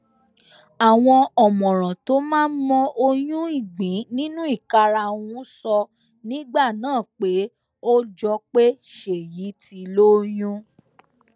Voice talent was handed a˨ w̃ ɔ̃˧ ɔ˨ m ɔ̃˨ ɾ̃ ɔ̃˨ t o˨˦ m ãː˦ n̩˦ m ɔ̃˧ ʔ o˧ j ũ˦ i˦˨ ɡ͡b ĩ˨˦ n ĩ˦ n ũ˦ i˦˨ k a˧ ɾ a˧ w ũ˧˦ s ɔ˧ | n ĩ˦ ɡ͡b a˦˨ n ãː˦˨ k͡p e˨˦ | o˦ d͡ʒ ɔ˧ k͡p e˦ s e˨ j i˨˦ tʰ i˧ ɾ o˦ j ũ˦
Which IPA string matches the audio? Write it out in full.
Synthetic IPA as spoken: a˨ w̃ ɔ̃˧ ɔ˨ m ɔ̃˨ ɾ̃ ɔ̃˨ t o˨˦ m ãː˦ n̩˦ m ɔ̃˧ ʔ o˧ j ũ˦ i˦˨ ɡ͡b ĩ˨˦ n ĩ˦ n ũ˦ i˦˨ k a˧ ɾ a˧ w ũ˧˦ s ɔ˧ | n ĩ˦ ɡ͡b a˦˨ n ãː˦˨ k͡p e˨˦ | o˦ d͡ʒ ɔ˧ k͡p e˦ ʃ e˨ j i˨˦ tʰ i˧ l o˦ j ũ˦